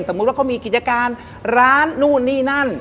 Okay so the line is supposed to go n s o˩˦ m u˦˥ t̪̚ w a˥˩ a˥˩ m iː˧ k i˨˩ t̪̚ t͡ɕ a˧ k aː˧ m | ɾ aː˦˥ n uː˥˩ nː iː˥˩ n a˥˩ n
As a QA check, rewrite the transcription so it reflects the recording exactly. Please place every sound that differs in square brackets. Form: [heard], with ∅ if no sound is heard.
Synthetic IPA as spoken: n s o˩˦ m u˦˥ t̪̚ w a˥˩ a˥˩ m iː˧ k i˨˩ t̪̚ t͡ɕ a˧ k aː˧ [n] | ɾ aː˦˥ [nː] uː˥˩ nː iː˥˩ n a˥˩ n